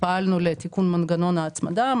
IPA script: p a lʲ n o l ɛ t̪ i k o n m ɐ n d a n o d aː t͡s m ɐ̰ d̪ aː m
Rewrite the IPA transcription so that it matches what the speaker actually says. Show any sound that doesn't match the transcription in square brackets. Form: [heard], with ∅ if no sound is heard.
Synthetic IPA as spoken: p a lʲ n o l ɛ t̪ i k [u] n m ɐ n [ɡ] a n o [n] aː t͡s m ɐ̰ d̪ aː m